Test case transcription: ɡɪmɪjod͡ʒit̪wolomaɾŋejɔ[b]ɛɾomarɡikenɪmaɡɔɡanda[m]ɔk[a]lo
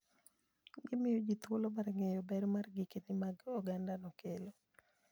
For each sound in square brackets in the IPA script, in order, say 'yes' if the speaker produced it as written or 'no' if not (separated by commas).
yes, no, no